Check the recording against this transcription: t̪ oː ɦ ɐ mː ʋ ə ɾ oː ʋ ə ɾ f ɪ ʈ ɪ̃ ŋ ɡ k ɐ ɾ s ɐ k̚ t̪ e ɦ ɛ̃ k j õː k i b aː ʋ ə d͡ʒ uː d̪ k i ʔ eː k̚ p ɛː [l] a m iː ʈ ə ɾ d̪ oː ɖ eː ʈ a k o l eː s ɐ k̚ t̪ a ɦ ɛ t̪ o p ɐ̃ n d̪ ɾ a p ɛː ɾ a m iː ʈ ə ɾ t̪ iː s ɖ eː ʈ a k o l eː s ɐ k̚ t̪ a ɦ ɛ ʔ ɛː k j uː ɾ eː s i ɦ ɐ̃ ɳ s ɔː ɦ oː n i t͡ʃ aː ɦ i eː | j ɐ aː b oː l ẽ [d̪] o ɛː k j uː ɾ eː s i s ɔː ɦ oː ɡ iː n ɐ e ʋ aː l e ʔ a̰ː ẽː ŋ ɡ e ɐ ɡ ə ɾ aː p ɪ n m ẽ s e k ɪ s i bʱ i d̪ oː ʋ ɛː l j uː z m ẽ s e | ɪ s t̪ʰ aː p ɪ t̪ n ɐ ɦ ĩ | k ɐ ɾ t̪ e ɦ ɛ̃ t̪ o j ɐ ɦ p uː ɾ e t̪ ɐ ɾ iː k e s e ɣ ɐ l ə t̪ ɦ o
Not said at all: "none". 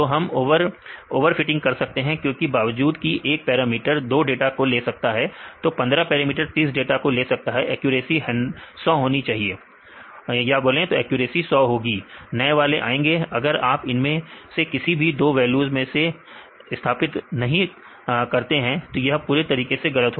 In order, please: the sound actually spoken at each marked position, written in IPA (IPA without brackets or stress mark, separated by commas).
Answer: ɾ, t̪